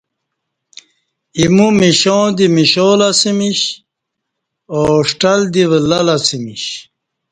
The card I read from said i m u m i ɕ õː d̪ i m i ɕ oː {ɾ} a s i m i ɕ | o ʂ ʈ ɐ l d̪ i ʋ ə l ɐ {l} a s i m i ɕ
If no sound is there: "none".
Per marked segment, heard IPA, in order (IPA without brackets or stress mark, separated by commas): l, l